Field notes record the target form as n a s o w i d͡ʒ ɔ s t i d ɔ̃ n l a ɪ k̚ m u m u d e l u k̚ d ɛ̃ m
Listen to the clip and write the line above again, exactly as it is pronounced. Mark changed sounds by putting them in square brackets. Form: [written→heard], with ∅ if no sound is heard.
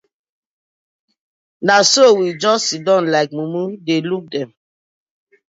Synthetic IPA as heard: n a s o w i d͡ʒ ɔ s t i d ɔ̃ n l a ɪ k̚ m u m u d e l u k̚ d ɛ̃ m